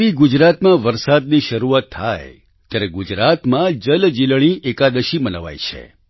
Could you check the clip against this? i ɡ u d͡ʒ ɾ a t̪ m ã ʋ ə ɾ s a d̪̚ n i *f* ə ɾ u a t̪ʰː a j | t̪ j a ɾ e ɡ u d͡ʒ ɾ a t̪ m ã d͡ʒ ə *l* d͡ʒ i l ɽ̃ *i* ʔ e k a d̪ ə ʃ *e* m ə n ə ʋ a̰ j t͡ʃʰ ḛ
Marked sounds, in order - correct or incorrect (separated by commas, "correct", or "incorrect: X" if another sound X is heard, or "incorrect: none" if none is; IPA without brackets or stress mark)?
incorrect: ʃ, correct, correct, incorrect: i